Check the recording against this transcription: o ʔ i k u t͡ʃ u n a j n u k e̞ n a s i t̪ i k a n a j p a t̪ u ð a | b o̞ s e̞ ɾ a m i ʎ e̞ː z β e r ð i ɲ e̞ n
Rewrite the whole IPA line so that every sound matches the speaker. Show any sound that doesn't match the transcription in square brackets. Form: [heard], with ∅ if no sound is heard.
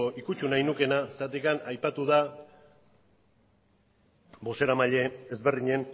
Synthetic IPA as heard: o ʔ i k u t͡ʃ u n a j n u k e̞ n a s [a] t̪ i k a n a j p a t̪ u ð a | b o̞ s e̞ ɾ a m [a] ʎ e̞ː z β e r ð i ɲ e̞ n